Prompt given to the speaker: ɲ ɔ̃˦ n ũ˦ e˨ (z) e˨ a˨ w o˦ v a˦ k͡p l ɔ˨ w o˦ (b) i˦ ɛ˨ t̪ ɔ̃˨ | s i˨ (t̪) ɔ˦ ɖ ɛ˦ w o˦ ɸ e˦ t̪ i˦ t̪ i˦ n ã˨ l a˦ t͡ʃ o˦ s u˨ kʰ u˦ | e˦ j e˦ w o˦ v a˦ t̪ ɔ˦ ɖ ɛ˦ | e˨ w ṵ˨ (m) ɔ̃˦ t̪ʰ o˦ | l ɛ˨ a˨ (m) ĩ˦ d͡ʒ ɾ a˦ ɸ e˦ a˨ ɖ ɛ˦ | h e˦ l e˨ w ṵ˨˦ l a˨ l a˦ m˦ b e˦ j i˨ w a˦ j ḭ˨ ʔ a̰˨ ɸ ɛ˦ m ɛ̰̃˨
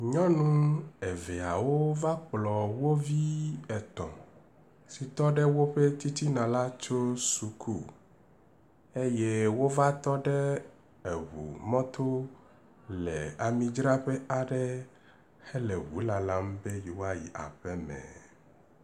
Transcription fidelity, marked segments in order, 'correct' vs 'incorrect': incorrect: v, incorrect: v, correct, correct, correct

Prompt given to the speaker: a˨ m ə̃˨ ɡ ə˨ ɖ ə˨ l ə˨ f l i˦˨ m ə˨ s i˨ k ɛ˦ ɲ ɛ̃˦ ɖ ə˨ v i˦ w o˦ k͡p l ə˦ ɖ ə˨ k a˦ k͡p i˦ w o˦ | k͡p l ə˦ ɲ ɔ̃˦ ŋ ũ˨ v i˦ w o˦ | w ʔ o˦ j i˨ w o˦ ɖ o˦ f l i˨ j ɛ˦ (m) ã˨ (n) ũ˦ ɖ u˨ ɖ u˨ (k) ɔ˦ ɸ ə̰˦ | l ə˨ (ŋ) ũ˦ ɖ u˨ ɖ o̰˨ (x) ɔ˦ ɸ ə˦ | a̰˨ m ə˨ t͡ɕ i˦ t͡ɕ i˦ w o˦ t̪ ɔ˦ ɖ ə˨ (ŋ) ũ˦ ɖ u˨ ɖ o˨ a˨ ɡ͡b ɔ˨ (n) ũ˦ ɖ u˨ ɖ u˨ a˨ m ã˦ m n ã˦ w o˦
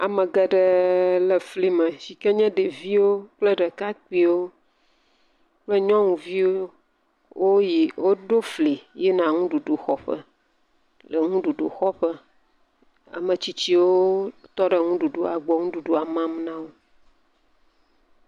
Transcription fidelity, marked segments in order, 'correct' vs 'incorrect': incorrect: n, incorrect: ŋ, incorrect: x, correct, correct, correct, incorrect: ŋ

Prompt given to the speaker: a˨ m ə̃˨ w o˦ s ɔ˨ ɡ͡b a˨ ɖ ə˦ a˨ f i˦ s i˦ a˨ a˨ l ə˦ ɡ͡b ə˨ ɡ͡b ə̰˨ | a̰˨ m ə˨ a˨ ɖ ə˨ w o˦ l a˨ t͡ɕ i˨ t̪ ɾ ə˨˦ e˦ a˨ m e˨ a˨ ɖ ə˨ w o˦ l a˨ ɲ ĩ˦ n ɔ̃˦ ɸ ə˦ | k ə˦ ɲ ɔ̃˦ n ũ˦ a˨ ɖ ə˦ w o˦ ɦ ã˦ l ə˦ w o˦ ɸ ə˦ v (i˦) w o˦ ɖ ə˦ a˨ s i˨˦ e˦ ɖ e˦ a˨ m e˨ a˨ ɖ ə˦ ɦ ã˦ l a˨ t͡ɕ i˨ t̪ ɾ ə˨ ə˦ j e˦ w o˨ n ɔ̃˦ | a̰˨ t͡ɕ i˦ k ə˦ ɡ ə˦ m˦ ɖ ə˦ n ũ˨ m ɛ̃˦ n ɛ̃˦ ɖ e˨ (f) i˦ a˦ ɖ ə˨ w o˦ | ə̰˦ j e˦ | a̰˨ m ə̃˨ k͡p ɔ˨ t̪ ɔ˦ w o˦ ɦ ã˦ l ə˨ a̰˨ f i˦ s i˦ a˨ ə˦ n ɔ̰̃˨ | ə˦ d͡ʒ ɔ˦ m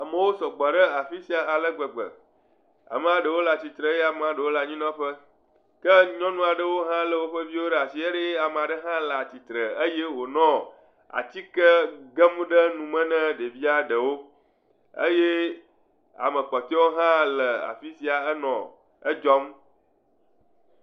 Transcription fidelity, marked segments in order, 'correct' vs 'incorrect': correct, incorrect: v

